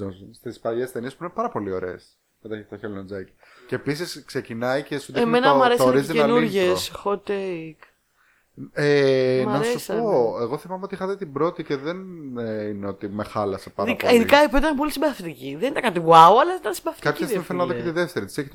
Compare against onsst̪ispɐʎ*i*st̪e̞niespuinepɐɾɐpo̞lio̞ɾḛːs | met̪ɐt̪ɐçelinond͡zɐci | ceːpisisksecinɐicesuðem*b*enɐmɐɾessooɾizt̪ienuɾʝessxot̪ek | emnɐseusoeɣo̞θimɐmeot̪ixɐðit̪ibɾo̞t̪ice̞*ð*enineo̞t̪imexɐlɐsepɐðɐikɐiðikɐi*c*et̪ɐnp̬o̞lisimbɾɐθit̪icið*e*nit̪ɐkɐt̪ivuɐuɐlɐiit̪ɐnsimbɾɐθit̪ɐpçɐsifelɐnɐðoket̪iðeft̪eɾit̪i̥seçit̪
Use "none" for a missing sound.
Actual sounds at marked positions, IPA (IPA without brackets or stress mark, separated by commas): e, m, ð, p, e